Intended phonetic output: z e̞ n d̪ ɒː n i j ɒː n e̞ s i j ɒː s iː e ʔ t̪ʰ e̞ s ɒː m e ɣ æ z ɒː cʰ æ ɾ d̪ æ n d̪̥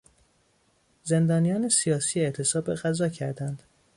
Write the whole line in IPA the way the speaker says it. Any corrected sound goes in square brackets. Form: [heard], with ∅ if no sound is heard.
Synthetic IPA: z e̞ n d̪ ɒː n i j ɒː n e̞ s i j ɒː s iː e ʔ t̪ʰ e̞ s ɒː [b] e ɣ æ z ɒː cʰ æ ɾ d̪ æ n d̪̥